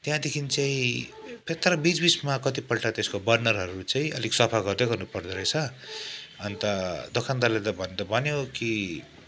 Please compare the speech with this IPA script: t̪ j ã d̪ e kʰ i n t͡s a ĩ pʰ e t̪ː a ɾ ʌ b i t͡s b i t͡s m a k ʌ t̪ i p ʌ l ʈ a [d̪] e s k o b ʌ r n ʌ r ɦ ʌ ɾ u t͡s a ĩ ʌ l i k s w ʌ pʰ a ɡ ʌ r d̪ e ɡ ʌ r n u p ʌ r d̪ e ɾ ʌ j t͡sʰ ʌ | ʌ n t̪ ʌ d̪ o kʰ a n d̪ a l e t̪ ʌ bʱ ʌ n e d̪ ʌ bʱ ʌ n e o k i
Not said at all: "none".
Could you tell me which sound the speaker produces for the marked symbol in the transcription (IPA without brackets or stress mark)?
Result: t̪